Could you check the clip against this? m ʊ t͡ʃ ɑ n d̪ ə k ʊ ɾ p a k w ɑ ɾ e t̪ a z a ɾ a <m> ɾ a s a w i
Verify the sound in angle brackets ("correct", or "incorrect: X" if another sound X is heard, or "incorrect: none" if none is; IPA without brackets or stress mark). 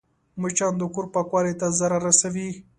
incorrect: none